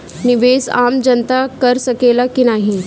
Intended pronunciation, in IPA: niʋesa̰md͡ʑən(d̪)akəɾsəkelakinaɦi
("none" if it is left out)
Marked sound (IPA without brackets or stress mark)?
t̪